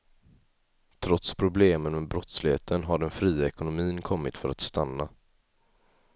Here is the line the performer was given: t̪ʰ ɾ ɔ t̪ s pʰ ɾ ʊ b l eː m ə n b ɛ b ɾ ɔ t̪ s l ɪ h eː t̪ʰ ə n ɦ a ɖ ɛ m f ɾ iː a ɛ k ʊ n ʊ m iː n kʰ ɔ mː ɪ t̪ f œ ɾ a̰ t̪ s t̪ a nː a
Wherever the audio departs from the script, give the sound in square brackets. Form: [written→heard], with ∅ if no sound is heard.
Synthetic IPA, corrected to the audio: t̪ʰ ɾ ɔ t̪ s pʰ ɾ ʊ b l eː m ə n [b→m] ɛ b ɾ ɔ t̪ s l ɪ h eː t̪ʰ ə n ɦ a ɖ ɛ [m→n] f ɾ iː a ɛ k ʊ n ʊ m iː n kʰ ɔ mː ɪ t̪ f œ ɾ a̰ t̪ s t̪ a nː a